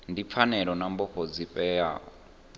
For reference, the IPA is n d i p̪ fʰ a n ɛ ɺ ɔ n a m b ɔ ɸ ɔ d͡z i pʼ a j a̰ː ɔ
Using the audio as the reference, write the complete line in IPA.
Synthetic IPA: n d i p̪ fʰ a n ɛ ɺ ɔ n a m b ɔ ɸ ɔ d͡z i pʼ ɛ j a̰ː ɔ